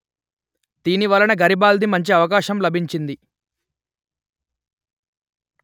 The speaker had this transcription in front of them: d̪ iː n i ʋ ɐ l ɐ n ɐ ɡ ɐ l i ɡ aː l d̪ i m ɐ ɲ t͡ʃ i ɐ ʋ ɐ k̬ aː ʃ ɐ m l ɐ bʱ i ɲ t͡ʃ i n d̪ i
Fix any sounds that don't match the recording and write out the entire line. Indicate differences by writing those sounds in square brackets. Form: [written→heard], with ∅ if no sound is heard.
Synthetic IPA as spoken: d̪ iː n i ʋ ɐ l ɐ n ɐ ɡ ɐ [l→ɾ] i [ɡ→b] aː l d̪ i m ɐ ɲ t͡ʃ i ɐ ʋ ɐ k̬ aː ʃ ɐ m l ɐ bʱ i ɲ t͡ʃ i n d̪ i

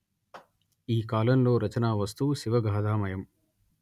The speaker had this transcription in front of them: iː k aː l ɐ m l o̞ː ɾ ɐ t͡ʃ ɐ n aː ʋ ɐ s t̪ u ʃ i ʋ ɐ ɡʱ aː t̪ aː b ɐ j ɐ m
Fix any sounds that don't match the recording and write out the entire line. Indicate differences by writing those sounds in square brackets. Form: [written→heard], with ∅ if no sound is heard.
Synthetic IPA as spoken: iː k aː l ɐ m l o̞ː ɾ ɐ t͡ʃ ɐ n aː ʋ ɐ s t̪ u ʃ i ʋ ɐ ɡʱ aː [t̪→d̪] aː [b→m] ɐ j ɐ m

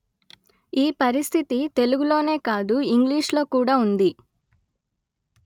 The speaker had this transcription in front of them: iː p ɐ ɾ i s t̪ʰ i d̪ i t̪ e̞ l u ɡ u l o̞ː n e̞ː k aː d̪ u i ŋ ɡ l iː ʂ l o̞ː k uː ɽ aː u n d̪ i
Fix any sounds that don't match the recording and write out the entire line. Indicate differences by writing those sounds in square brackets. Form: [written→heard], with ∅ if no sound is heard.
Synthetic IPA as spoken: iː p ɐ ɾ i s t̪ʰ i [d̪→t̪] i t̪ e̞ l u ɡ u l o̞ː n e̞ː k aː d̪ u i ŋ ɡ l iː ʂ l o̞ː k uː ɽ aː u n d̪ i

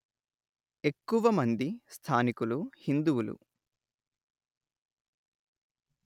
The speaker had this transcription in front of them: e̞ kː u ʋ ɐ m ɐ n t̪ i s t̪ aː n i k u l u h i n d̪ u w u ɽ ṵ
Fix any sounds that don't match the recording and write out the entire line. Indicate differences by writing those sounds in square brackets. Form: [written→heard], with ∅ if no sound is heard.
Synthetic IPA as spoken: e̞ kː u ʋ ɐ m ɐ n [t̪→d̪] i s [t̪→t̪ʰ] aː n i k u l u h i n d̪ u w u [ɽ→l] ṵ

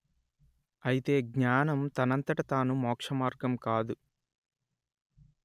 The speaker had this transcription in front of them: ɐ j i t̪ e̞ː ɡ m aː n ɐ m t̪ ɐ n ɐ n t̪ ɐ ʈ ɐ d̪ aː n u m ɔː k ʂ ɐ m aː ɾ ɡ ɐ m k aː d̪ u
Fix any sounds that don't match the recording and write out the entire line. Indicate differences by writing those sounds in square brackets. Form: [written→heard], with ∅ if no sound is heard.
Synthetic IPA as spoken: ɐ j i t̪ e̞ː ɡ [m→ɲ] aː n ɐ m t̪ ɐ n ɐ n t̪ ɐ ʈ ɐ [d̪→t̪] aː n u m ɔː k ʂ ɐ m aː ɾ ɡ ɐ m k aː d̪ u

